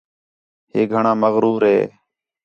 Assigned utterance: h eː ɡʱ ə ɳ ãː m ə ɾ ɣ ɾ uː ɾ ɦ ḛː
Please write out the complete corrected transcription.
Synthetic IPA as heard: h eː ɡʱ ə ɳ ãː m ə ɣ ɾ uː ɾ ɦ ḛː